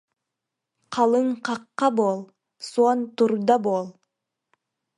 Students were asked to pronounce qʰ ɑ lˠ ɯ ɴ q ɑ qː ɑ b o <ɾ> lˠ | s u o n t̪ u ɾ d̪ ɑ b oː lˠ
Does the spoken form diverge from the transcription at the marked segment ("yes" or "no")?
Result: yes